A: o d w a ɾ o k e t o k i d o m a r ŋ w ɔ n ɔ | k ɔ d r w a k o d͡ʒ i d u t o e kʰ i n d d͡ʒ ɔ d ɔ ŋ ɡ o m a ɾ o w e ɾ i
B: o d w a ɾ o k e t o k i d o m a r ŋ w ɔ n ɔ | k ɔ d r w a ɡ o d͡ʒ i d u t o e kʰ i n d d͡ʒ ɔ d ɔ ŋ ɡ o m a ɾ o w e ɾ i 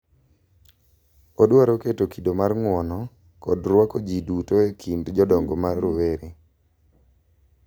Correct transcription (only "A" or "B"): A